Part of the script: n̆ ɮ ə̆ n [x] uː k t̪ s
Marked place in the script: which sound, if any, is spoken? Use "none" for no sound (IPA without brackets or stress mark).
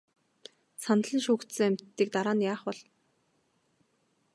ʃ